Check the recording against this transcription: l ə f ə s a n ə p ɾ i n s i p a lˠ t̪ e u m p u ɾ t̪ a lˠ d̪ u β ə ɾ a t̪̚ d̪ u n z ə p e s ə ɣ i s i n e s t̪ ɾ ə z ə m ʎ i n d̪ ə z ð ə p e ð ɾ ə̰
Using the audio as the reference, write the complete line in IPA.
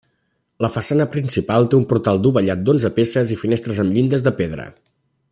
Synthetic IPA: l ə f ə s a n ə p ɾ i n s i p a lˠ t̪ e u m p u ɾ t̪ a lˠ d̪ u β ə ʎ a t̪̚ d̪ o n z ə p e s ə z i f i n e s t̪ ɾ ə z ə m ʎ i n d̪ ə z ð ə p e ð ɾ ə̰